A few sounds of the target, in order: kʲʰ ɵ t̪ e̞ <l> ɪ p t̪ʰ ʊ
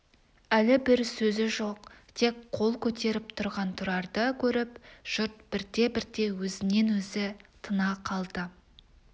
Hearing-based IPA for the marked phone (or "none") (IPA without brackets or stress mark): ɾ